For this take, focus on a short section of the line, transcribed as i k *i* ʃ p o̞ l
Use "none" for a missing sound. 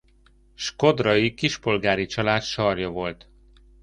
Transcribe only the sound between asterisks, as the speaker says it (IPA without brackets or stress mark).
i